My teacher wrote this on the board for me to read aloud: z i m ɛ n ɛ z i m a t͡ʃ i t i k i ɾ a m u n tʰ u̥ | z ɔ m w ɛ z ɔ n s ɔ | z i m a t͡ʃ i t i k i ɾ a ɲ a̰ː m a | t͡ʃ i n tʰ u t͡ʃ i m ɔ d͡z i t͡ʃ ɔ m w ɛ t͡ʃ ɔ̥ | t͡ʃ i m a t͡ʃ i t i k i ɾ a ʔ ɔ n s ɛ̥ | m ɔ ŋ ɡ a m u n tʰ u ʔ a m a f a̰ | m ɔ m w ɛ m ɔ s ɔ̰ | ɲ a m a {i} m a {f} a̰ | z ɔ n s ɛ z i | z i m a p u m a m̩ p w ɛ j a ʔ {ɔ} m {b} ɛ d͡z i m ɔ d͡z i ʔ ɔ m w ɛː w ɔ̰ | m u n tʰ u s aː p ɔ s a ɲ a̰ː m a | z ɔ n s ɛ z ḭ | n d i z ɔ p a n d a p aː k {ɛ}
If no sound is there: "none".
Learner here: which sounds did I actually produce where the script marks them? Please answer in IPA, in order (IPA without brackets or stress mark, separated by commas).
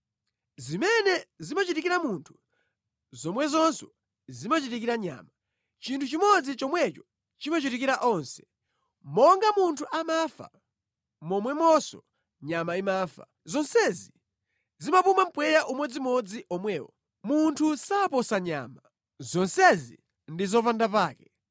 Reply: i, f, u, w, ɛ